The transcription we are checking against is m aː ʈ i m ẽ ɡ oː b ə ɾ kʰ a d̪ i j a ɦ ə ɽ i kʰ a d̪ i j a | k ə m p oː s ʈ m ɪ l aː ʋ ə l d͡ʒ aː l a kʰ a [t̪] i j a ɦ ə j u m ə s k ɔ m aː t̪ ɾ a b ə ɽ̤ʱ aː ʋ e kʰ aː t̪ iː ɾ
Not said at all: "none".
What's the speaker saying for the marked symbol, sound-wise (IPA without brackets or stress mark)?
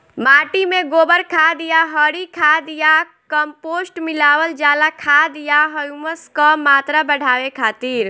d̪